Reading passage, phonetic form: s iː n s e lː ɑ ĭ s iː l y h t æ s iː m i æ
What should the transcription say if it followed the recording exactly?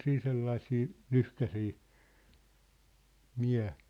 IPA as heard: s iː n s e lː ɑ ĭ s iː l y h k æ s iː m i æ